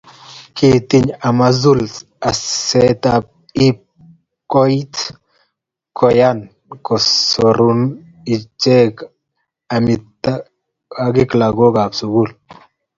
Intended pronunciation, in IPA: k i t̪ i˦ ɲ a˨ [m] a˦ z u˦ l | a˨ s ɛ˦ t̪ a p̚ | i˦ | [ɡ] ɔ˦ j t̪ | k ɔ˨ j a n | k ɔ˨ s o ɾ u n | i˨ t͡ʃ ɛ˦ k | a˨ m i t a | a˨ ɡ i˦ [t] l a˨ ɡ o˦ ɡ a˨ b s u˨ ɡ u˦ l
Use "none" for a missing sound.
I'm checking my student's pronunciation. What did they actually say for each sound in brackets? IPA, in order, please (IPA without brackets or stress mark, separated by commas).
m, k, k